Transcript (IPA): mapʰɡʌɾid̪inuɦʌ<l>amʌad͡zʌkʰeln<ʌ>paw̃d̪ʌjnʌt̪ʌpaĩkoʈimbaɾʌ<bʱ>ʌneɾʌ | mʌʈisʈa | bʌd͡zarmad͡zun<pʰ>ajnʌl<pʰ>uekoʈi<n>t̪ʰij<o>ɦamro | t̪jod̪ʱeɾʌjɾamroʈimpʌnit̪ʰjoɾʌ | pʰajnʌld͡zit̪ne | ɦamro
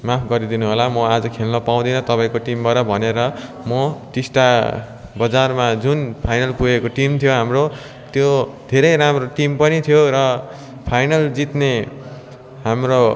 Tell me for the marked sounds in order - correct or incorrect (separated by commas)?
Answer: correct, correct, correct, correct, incorrect, incorrect, correct